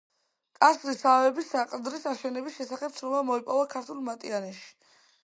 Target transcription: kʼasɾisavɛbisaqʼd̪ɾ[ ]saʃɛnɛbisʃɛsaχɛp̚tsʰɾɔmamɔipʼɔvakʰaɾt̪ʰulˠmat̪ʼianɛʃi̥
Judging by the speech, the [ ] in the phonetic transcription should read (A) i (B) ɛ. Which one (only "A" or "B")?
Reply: A